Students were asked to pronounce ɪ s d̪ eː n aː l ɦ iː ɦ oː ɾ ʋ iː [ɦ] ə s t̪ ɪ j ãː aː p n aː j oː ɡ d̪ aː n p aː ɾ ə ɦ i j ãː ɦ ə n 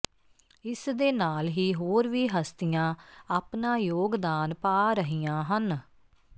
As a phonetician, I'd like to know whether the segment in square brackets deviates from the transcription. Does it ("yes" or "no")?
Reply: no